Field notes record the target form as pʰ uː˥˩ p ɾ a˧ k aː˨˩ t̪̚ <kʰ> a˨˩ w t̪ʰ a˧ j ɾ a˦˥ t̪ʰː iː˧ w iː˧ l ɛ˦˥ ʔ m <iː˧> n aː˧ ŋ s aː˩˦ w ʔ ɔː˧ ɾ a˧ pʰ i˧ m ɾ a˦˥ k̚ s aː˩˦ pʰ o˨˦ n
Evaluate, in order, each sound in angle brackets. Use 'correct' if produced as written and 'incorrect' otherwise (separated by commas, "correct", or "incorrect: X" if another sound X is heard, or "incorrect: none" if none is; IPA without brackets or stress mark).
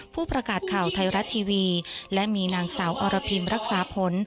correct, correct